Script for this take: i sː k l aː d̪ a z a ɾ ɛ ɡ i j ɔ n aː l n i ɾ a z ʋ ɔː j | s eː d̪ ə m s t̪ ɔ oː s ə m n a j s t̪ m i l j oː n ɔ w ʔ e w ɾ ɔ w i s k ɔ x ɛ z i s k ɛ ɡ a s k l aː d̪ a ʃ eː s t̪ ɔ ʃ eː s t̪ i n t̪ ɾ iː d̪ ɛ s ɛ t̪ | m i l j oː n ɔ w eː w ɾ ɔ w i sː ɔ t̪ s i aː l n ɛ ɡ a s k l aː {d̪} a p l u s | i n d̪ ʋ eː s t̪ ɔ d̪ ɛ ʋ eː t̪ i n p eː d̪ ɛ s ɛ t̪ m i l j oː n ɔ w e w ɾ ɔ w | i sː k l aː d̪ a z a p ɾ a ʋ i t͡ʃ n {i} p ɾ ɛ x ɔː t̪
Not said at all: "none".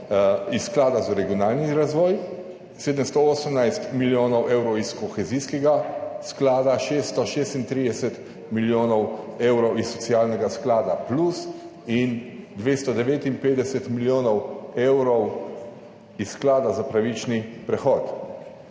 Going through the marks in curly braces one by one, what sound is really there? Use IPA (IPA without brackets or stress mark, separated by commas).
d̪, i